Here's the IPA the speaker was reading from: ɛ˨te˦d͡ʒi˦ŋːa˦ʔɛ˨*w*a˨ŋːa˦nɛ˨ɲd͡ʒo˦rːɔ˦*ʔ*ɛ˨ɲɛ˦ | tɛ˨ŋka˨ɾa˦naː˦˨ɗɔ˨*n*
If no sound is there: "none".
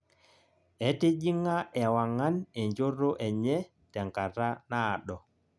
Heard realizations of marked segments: w, ʔ, none

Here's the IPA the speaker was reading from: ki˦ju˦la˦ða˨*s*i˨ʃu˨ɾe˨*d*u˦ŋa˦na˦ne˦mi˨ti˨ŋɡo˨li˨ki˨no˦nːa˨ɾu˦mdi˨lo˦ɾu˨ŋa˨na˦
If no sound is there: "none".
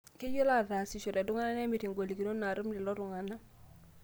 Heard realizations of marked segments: s, d

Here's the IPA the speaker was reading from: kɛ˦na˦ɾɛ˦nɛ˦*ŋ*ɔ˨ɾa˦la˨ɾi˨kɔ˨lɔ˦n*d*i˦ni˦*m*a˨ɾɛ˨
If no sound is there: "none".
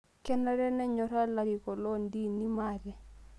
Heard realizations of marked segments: ɲ, d, m

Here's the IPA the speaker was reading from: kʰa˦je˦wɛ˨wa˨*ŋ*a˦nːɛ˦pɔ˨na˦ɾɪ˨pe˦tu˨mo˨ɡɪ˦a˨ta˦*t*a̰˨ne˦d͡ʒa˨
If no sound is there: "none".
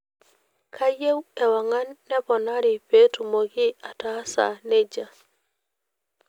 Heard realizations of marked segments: ŋ, s

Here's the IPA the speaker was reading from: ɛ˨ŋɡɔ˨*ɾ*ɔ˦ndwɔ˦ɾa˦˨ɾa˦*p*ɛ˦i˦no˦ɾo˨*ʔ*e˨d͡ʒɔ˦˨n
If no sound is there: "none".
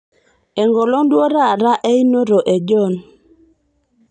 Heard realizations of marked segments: l, ʔ, ʔ

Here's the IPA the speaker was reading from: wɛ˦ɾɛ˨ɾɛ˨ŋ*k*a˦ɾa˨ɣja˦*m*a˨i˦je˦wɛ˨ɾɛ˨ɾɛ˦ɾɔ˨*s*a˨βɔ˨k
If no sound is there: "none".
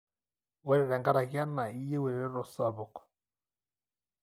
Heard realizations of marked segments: ɡ, n, s

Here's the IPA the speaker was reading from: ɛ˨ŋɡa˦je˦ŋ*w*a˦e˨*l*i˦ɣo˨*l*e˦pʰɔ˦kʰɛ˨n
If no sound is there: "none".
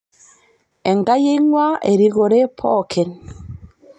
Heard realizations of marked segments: w, ɾ, ɾ

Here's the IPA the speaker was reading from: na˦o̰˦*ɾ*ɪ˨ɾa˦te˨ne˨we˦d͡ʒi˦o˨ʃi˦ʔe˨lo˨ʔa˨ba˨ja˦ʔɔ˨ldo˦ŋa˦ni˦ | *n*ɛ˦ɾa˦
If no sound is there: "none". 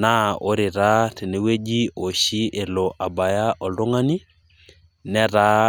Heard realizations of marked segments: ɾ, n

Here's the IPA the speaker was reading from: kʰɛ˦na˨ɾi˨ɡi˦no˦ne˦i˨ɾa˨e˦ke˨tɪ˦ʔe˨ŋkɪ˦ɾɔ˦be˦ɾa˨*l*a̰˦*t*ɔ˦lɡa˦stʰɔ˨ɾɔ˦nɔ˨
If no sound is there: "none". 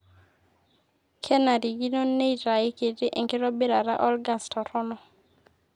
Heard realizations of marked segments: ɾ, ʔ

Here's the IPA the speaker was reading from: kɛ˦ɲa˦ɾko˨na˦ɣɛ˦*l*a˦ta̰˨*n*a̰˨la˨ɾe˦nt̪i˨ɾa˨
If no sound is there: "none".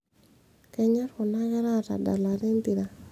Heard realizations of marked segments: ɾ, d

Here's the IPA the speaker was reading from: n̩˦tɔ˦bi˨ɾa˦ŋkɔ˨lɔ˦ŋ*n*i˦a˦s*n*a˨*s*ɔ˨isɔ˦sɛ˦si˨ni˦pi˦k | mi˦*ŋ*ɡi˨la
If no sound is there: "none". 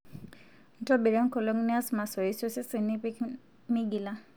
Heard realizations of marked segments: n, m, s, none

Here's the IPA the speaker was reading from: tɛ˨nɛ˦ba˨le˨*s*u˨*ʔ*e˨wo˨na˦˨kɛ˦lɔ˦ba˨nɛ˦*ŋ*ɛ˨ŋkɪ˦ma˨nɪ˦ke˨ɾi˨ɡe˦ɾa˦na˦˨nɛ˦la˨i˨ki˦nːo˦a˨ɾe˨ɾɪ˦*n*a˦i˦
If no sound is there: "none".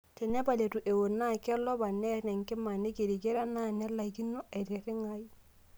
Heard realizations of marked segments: t, ʔ, n, ŋ

